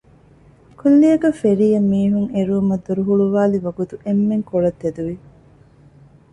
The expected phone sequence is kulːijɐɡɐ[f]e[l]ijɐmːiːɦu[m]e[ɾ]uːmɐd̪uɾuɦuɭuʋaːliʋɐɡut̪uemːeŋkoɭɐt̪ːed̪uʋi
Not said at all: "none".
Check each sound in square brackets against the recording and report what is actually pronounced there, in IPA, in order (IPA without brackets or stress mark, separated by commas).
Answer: f, ɾ, ŋ, ɾ